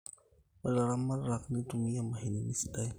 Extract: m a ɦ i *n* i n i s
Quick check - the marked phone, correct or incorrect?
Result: correct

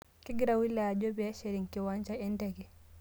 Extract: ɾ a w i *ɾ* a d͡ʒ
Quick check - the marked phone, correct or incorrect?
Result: incorrect: l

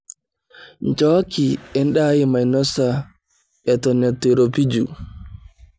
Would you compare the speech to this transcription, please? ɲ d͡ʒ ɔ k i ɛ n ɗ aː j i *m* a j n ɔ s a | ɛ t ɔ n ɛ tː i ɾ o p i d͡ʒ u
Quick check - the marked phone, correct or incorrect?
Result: correct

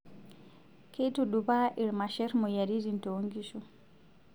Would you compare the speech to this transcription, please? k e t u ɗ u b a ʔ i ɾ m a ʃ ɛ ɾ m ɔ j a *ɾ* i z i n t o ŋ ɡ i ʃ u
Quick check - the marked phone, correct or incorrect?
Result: correct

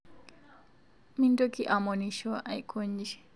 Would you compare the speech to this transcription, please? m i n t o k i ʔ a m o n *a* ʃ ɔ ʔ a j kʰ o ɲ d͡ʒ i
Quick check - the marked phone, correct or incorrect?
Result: incorrect: i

